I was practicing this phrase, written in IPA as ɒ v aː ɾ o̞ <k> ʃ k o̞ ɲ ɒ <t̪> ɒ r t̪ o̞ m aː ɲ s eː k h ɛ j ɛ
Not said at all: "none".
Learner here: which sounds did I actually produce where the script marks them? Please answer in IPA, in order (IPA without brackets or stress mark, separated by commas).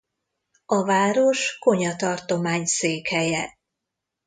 none, t̪